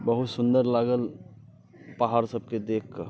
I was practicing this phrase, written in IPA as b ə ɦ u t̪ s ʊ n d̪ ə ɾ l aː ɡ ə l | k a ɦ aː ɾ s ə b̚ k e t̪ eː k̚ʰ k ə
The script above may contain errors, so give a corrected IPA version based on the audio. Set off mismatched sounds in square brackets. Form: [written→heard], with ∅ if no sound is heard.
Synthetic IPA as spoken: b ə ɦ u t̪ s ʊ n d̪ ə ɾ l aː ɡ ə l | [k→p] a ɦ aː ɾ s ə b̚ k e [t̪→d̪] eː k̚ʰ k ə